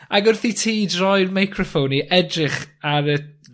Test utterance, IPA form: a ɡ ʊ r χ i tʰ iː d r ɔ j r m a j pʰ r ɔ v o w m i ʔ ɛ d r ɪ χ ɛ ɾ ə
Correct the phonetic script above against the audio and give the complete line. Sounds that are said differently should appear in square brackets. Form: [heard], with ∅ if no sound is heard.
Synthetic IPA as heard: a ɡ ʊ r [θ] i tʰ iː d r ɔ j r m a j [kʰ] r ɔ [f] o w [n] i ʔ ɛ d r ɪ χ [a] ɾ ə

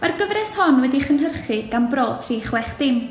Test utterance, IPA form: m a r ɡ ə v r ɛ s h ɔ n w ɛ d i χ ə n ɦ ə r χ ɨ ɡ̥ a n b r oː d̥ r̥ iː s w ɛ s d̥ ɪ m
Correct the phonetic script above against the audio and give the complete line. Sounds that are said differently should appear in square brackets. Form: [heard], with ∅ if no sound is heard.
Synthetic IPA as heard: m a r ɡ ə v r ɛ s h ɔ n w ɛ d i χ ə n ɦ ə r χ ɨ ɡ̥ a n b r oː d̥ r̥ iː [χ] w ɛ [χ] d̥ ɪ m

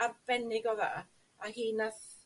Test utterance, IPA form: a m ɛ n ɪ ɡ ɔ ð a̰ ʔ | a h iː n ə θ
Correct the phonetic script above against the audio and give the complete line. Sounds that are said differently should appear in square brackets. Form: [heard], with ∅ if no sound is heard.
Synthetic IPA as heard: a [b] ɛ n ɪ ɡ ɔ ð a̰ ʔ | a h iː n [a] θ

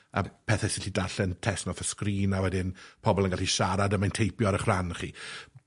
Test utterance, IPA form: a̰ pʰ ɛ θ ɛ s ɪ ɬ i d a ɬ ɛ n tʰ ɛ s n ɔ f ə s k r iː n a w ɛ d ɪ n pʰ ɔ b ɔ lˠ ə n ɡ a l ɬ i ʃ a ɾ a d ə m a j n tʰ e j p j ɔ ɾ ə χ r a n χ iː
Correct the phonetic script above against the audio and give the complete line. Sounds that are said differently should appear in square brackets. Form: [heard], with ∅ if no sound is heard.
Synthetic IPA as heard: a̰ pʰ ɛ θ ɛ s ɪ ɬ i d a ɬ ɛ n tʰ ɛ s n ɔ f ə s k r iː n a w ɛ d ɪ n pʰ ɔ b ɔ lˠ ə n ɡ a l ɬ i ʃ a ɾ a d ə m a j n tʰ e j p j ɔ ɾ ə χ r a n χ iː

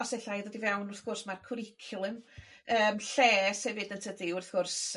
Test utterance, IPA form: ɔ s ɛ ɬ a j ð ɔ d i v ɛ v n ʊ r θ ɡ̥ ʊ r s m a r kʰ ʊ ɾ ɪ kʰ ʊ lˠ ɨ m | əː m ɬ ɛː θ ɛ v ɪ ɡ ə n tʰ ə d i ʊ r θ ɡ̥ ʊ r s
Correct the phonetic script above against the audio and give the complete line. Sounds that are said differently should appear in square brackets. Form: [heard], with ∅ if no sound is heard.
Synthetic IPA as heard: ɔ s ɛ ɬ a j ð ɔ d i v ɛ [w] n ʊ r θ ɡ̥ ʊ r s m a r kʰ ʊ ɾ ɪ kʰ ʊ lˠ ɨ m | əː m ɬ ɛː [s] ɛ v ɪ [d] ə n tʰ ə d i ʊ r θ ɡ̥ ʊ r s

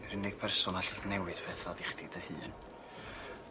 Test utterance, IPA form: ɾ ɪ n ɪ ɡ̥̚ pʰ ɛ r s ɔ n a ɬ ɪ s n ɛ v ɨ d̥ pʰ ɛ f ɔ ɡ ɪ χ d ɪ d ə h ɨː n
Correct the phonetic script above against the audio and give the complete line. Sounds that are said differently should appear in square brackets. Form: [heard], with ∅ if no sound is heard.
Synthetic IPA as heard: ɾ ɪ n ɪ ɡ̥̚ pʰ ɛ r s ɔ n a ɬ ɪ [θ] n ɛ [w] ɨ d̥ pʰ ɛ [θ] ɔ [d] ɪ χ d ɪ d ə h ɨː n

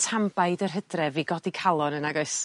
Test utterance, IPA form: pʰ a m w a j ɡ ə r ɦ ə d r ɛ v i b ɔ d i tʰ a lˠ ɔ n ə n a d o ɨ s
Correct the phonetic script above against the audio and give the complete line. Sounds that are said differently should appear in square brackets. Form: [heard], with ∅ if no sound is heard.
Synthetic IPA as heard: [tʰ] a m [b] a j [d] ə r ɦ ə d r ɛ v i [ɡ] ɔ d i [kʰ] a lˠ ɔ n ə n a [ɡ] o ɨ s

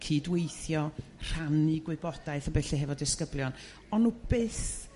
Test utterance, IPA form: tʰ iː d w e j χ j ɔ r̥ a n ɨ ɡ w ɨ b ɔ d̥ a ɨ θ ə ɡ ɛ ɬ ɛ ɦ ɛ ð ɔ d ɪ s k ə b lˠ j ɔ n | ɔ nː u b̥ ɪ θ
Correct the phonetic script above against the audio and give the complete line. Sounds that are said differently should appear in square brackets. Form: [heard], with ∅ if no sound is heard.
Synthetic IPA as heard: [kʰ] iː d w e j [θ] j ɔ r̥ a n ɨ ɡ w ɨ b ɔ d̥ a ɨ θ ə [b] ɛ ɬ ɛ ɦ ɛ [v] ɔ d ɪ s k ə b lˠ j ɔ n | ɔ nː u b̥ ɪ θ

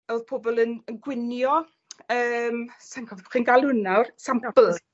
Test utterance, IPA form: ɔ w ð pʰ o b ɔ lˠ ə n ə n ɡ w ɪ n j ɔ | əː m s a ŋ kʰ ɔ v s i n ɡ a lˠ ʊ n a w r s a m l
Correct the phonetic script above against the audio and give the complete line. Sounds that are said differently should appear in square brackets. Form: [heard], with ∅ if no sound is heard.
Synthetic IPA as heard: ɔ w ð pʰ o b ɔ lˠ ə n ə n ɡ w ɪ n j ɔ | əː m s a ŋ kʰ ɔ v [χ] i n ɡ a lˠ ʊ n a w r s a m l

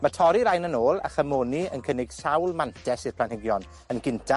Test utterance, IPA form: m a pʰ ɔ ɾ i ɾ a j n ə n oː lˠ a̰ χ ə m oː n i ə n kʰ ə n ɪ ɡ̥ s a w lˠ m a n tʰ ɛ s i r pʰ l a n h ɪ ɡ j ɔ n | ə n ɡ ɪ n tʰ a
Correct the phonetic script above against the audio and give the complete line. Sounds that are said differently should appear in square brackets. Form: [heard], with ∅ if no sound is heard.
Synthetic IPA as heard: m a [tʰ] ɔ ɾ i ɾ a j n ə n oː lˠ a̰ χ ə m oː n i ə n kʰ ə n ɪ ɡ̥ s a w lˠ m a n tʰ ɛ s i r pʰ l a n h ɪ ɡ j ɔ n | ə n ɡ ɪ n tʰ a

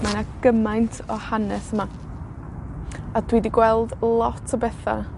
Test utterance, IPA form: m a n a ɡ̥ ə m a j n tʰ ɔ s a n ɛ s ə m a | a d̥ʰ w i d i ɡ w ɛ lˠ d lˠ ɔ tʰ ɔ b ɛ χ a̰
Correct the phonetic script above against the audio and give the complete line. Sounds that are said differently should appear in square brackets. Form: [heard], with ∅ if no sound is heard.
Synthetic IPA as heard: m a n a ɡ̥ ə m a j n tʰ ɔ [h] a n ɛ s ə m a | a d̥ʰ w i d i ɡ w ɛ lˠ d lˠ ɔ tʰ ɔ b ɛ [θ] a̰

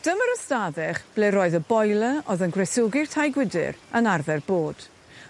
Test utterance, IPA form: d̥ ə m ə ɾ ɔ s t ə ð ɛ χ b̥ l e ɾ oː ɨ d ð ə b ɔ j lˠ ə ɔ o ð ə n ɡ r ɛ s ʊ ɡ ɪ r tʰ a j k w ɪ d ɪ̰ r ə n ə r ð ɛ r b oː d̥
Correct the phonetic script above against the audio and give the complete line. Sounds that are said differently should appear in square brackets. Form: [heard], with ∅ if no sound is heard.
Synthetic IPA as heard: d̥ ə m ə ɾ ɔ s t [a] ð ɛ χ b̥ l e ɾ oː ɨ [∅] ð ə b ɔ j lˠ ə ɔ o ð ə n ɡ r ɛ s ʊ ɡ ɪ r tʰ a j [ɡ] w ɪ d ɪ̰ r ə n [a] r ð ɛ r b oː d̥

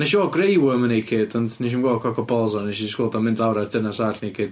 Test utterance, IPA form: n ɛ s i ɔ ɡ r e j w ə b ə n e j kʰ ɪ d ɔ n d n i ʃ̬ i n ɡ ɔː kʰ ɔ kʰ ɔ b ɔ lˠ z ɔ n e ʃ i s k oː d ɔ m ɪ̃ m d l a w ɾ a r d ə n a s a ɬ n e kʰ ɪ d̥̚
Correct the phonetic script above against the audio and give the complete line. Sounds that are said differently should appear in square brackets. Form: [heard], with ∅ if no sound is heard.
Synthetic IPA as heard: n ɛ [ʃ] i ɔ ɡ r e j w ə [m] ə n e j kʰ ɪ d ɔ n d n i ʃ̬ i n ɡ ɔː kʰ ɔ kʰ ɔ b ɔ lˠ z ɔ n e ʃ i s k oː d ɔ m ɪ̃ [n] d l a w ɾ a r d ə n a s a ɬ n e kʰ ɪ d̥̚

